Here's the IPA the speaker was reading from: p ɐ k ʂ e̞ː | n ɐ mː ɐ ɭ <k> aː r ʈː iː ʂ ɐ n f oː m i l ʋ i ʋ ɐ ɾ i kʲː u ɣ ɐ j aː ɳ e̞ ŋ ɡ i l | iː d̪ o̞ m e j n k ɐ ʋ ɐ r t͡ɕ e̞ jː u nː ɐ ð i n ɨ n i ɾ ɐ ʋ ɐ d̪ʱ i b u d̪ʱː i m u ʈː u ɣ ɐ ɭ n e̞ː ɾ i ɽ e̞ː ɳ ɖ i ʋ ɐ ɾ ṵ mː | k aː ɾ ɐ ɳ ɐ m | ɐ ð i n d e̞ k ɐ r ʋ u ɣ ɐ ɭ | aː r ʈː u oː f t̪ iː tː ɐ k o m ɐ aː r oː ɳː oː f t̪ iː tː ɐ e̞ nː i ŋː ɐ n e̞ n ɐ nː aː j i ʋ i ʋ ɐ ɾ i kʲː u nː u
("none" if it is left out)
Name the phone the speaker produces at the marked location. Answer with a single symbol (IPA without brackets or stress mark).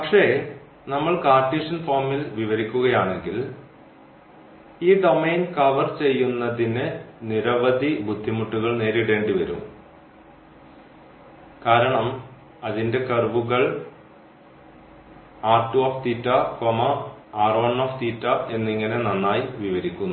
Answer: k